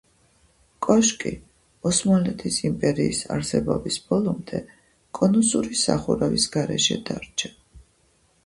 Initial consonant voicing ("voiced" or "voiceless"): voiceless